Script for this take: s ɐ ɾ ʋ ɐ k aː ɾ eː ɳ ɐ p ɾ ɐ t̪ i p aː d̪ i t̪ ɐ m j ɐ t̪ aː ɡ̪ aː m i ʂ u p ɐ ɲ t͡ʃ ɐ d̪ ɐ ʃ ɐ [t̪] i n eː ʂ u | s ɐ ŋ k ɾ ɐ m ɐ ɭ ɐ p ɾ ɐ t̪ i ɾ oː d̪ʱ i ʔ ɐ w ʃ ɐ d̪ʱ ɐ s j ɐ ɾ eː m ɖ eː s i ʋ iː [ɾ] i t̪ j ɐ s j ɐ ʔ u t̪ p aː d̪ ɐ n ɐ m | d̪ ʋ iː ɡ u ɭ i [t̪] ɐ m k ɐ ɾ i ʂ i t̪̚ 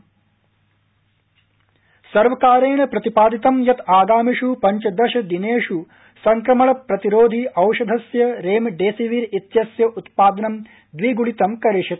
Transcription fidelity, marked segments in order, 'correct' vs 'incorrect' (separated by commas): incorrect, correct, correct